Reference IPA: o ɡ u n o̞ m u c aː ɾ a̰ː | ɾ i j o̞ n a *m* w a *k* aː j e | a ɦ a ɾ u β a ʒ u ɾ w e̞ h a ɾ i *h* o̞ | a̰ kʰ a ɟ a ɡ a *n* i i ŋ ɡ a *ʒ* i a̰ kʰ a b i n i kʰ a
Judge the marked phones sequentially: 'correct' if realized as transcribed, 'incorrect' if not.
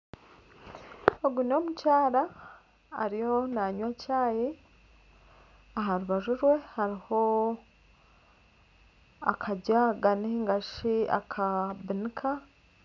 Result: incorrect, incorrect, correct, correct, incorrect

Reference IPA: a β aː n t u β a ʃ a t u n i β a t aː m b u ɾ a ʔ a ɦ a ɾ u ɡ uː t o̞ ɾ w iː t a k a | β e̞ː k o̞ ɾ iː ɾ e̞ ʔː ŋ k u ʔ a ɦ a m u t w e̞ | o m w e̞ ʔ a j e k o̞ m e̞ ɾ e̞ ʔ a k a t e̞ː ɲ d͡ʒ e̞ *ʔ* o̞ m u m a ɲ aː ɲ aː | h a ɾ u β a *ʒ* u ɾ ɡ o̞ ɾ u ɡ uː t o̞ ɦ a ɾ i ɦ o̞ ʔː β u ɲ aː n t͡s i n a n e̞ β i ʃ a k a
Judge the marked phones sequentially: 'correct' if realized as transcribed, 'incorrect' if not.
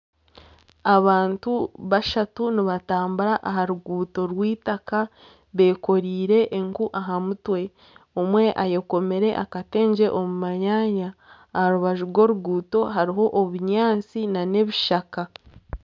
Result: correct, correct

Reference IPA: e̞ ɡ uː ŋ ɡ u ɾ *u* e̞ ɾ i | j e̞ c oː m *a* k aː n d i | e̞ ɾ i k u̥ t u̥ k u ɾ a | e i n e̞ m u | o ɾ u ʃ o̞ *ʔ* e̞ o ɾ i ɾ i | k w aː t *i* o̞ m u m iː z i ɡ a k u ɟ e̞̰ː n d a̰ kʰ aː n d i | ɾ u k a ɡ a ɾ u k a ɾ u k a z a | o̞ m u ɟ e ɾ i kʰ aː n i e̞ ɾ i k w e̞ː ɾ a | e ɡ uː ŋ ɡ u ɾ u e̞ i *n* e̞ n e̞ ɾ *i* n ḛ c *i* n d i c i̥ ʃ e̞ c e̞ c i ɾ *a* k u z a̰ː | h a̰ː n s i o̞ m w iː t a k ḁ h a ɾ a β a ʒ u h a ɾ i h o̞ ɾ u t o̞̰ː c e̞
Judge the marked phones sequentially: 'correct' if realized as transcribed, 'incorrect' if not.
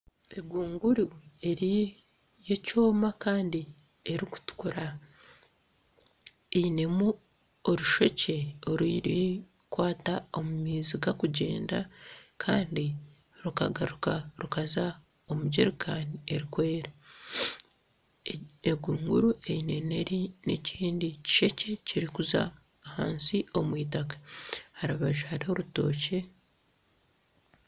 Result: correct, correct, incorrect, incorrect, correct, correct, incorrect, incorrect

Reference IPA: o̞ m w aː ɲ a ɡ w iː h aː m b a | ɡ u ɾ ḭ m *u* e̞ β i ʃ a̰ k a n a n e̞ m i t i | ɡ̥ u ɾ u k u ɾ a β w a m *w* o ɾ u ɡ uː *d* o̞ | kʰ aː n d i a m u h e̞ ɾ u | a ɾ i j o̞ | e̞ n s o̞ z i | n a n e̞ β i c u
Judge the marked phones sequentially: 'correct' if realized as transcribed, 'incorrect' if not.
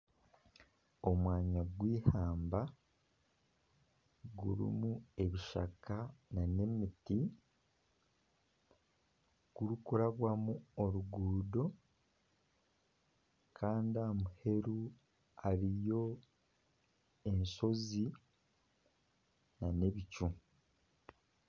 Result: correct, incorrect, correct

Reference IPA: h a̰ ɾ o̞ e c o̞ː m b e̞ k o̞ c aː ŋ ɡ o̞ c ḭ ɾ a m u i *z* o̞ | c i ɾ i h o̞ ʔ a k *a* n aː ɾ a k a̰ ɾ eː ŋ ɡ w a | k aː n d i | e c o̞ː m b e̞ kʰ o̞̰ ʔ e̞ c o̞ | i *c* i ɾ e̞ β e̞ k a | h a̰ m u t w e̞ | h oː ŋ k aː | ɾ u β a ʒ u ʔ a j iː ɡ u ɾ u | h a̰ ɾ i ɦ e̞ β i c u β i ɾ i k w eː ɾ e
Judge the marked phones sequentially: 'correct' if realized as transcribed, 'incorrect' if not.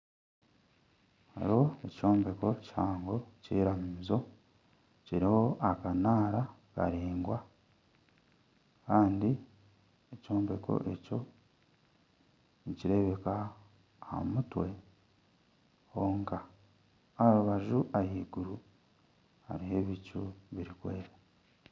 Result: correct, correct, correct

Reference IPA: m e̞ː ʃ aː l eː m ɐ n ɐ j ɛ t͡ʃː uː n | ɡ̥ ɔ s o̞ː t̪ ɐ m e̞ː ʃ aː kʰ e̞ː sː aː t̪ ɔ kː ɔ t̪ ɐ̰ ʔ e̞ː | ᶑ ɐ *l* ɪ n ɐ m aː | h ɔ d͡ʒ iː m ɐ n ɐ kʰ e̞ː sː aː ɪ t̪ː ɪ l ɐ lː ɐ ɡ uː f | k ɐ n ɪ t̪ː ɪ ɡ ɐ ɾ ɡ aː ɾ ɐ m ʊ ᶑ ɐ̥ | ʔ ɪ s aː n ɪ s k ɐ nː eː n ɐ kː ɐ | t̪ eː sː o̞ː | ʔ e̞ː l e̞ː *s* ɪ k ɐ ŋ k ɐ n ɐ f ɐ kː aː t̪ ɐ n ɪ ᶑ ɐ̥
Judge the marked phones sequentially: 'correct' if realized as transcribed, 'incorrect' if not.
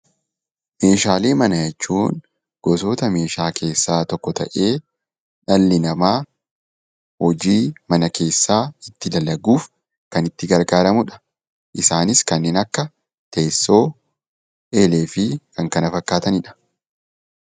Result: incorrect, incorrect

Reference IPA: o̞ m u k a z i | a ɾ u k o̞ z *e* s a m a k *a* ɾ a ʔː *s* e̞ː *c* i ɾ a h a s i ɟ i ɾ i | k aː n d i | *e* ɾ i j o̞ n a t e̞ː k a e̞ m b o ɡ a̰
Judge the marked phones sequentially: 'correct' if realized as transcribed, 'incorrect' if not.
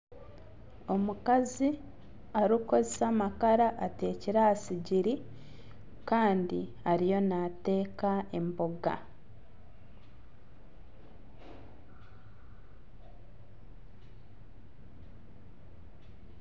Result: correct, correct, incorrect, correct, incorrect

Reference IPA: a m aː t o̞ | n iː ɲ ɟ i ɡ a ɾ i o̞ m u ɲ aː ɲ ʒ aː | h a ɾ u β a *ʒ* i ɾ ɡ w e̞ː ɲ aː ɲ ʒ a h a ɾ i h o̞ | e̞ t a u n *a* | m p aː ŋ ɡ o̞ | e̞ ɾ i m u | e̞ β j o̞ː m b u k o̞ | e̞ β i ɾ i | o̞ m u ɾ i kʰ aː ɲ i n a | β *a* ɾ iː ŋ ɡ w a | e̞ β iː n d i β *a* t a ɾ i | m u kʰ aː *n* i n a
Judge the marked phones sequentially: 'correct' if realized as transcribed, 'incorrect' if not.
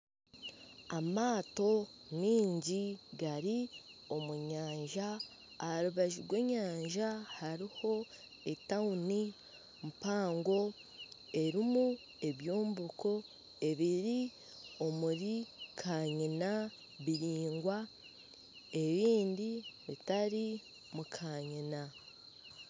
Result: correct, incorrect, incorrect, incorrect, incorrect

